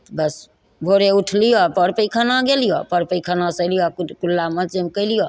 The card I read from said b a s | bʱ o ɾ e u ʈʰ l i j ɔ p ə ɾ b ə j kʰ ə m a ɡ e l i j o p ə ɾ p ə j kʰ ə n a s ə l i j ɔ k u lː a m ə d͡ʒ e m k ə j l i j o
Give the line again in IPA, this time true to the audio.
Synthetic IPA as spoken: b ə s | bʱ o ɾ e u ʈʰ l i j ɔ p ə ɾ p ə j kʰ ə n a ɡ e l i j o p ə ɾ p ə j kʰ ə n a s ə l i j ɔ k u lː a m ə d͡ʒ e m k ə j l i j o